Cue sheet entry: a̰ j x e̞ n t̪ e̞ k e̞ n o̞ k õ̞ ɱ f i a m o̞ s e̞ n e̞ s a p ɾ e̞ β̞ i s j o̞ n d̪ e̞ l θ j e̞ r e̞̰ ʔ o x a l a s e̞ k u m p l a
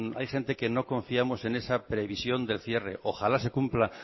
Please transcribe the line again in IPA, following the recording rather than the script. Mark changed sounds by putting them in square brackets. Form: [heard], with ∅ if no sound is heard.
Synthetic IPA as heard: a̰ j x e̞ n t̪ e̞ k e̞ n o̞ k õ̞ ɱ f i a m o̞ s e̞ n e̞ s a p ɾ e̞ β̞ i s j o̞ n d̪ e̞ l θ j e̞ r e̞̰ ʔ o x a l a s e̞ k u m p l a